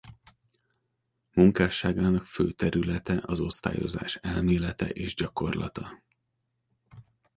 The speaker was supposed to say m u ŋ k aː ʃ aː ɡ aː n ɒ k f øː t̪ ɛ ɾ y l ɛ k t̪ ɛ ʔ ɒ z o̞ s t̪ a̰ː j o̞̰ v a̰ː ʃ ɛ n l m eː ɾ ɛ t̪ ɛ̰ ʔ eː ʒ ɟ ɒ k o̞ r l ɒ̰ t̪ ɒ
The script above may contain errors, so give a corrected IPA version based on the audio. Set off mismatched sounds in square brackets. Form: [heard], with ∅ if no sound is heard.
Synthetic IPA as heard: m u ŋ k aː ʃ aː ɡ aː n ɒ k f øː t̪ ɛ ɾ y l ɛ [∅] t̪ ɛ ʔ ɒ z o̞ s t̪ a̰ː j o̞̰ [z] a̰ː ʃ ɛ [∅] l m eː [l] ɛ t̪ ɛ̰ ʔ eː ʒ ɟ ɒ k o̞ r l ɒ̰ t̪ ɒ